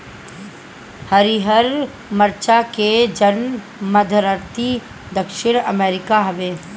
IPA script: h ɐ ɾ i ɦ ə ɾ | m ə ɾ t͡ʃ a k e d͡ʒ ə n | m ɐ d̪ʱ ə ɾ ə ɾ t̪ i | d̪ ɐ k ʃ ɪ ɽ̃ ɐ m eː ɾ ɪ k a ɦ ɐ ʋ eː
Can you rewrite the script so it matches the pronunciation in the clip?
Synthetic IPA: h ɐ ɾ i ɦ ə ɾ | m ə ɾ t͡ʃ a k e d͡ʒ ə n | m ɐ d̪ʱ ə ɾ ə ɾ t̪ i | d̪ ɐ k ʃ ɪ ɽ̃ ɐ m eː ɾ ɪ k a ɦ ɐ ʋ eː

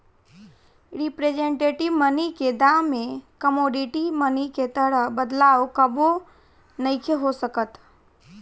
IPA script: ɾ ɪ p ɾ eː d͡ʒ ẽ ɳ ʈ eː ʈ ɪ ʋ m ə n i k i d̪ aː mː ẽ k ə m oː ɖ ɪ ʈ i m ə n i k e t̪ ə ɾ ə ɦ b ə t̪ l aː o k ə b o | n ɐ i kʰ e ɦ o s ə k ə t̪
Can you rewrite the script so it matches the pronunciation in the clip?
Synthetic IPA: ɾ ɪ p ɾ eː d͡ʒ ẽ ɳ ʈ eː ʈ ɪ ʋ m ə n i k e d̪ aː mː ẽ k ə m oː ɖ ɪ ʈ i m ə n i k e t̪ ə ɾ ə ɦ b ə d̪ l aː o k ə b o | n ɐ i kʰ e ɦ o s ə k ə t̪

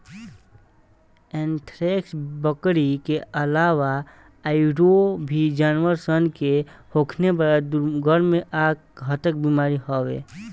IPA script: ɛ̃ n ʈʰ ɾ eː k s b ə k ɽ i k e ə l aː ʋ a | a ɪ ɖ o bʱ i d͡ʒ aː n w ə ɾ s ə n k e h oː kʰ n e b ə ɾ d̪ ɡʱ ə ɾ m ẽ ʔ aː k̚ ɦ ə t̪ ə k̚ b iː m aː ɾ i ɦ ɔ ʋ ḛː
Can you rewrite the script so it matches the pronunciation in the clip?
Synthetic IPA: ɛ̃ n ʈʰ ɾ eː k s b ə k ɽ i k e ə l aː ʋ a | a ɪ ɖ o bʱ i d͡ʒ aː n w ə ɾ s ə n k e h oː kʰ n e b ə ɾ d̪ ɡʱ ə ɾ m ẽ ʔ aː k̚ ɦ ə t̪ ə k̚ b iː m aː ɾ i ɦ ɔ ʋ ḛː

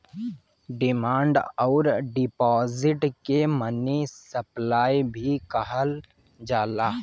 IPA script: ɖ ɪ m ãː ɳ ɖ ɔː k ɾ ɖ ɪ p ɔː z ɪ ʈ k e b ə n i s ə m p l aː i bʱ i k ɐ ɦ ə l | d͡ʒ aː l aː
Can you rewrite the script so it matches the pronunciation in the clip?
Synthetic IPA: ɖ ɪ m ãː ɳ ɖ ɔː ɾ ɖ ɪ p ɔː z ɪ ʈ k e m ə n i s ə p l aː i bʱ i k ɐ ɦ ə l | d͡ʒ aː l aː

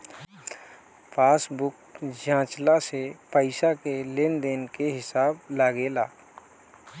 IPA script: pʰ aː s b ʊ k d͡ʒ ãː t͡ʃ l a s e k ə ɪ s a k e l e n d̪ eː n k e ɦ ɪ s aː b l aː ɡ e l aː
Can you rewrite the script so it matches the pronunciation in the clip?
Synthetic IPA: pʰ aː s b ʊ k d͡ʒ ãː t͡ʃ l a s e p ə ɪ s a k e l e n d̪ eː n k e ɦ ɪ s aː b l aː ɡ e l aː

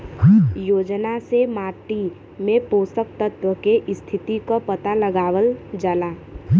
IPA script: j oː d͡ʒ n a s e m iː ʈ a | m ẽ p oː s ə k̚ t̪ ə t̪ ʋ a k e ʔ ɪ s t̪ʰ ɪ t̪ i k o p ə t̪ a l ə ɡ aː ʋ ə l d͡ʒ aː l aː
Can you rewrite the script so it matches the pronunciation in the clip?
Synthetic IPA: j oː d͡ʒ n a s e m aː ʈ i | m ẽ p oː s ə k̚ t̪ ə t̪ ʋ ə k e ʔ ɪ s t̪ʰ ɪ t̪ i k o p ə t̪ a l ə ɡ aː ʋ ə l d͡ʒ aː l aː

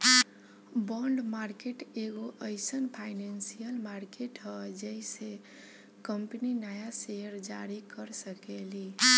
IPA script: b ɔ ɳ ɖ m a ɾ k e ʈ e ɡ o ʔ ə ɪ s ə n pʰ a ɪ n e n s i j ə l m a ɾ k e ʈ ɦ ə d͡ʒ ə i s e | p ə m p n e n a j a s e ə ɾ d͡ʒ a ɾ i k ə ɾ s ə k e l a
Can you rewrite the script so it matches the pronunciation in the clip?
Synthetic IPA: b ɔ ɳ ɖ m a ɾ k e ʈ e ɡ o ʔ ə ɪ s ə n pʰ a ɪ n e n s i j ə l m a ɾ k e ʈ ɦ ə d͡ʒ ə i s e | k ə m p n i n a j a s e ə ɾ d͡ʒ a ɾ i k ə ɾ s ə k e l i

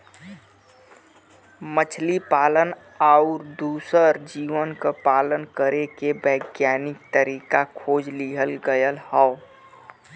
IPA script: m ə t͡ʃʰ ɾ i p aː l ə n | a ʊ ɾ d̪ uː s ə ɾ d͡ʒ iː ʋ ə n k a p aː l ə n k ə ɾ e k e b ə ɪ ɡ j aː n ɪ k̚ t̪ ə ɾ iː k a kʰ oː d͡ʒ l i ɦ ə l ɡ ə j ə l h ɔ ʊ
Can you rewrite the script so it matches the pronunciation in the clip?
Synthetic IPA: m ə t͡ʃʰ l i p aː l ə n | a ʊ ɾ d̪ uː s ə ɾ d͡ʒ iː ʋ ə n k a p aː l ə n k ə ɾ e k e b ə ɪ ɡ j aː n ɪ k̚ t̪ ə ɾ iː k a kʰ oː d͡ʒ l i ɦ ə l ɡ ə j ə l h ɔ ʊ

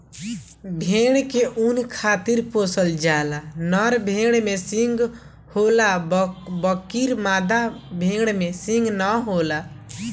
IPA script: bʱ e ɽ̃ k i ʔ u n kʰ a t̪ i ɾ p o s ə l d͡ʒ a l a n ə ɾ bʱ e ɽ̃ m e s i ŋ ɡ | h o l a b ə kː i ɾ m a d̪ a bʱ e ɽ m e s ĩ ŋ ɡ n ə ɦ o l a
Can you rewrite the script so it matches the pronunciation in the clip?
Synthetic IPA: bʱ e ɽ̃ k e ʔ u n kʰ a t̪ i ɾ p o s ə l d͡ʒ a l a n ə ɾ bʱ e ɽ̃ m e s i ŋ ɡ | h o l a b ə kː i ɾ m a d̪ a bʱ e ɽ m e s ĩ ŋ ɡ n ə ɦ o l a

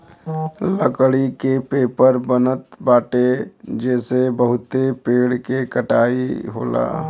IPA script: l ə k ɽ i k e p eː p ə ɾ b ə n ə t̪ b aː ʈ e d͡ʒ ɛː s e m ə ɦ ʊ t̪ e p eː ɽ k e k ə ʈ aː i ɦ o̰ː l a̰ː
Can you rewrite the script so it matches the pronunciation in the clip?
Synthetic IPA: l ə k ɽ i k e p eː p ə ɾ b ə n ə t̪ b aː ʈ e d͡ʒ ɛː s e b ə ɦ ʊ t̪ e p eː ɽ k e k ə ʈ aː i ɦ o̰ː l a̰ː

